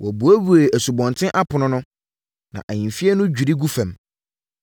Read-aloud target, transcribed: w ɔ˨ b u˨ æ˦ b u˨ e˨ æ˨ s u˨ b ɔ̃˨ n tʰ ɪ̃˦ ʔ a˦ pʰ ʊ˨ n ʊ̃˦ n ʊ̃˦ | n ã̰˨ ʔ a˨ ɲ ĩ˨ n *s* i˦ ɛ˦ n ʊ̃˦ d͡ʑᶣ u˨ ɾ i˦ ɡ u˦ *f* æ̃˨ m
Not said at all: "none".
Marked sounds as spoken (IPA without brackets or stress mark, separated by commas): f, f